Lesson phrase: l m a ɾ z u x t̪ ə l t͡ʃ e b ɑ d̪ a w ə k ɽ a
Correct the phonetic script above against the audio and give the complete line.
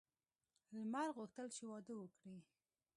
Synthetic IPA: l m a ɾ ɣ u x t̪ ə l t͡ʃ e w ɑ d̪ ə w ə k ɽ i